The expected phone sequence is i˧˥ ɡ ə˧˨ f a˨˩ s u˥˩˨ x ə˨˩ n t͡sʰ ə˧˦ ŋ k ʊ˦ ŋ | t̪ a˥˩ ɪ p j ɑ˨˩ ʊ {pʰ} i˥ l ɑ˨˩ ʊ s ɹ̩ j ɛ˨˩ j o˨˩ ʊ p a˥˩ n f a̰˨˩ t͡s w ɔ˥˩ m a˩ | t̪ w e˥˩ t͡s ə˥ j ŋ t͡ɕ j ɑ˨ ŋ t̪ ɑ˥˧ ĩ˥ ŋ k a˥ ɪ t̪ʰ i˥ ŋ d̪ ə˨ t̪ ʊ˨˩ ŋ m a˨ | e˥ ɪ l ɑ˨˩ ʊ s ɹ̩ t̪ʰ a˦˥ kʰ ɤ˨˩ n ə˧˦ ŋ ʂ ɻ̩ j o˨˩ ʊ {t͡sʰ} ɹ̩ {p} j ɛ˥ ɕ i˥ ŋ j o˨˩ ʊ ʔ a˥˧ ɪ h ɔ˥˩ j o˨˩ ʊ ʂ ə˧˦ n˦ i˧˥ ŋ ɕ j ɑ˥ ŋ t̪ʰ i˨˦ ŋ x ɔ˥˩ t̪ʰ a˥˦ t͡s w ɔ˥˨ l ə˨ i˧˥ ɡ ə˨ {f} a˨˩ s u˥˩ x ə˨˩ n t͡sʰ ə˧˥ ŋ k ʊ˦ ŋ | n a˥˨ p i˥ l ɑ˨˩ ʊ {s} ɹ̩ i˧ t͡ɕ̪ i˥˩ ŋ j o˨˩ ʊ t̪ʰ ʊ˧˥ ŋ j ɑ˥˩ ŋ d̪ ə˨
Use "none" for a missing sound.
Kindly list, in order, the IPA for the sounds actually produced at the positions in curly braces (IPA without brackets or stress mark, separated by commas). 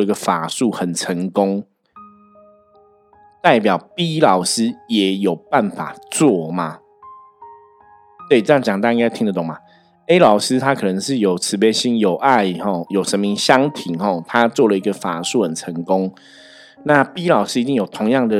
p, t͡sʰ, p, f, s